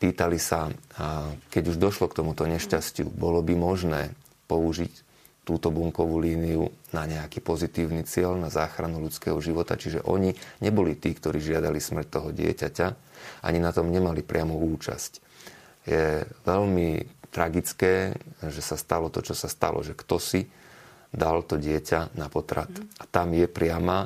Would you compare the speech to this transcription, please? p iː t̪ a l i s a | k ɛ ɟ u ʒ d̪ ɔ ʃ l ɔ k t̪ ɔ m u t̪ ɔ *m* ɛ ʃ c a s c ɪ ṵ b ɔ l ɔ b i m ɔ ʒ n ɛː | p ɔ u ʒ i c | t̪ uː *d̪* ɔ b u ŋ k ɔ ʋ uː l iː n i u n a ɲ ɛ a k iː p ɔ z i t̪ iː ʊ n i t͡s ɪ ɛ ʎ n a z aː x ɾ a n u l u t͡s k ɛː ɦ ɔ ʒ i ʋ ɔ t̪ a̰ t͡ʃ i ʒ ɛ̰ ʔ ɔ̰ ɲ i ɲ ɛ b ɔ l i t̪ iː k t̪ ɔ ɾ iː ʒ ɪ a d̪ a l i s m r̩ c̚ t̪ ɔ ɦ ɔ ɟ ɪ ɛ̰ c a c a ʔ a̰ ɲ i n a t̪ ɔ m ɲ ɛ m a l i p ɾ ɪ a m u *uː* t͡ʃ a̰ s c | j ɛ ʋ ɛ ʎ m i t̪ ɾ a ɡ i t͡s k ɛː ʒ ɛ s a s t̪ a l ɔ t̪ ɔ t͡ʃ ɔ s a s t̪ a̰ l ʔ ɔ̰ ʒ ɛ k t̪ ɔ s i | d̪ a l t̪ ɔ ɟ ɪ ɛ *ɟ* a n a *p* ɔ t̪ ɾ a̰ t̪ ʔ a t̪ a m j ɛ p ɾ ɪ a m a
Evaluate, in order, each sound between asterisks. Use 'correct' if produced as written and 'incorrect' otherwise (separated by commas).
incorrect, incorrect, correct, incorrect, correct